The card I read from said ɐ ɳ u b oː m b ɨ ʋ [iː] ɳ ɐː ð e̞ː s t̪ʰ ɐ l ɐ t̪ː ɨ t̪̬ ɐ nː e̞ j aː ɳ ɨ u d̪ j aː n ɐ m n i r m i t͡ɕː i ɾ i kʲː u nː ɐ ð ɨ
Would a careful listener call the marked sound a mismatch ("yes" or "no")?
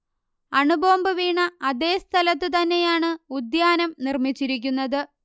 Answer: no